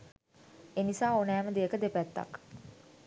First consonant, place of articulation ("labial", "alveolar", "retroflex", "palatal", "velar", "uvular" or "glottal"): alveolar